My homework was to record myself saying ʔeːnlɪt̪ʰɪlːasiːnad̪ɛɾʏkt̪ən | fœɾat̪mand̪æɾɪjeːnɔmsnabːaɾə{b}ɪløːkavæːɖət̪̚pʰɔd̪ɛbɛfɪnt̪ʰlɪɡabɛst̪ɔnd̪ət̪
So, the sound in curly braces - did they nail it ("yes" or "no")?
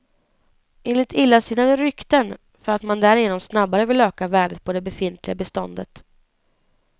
no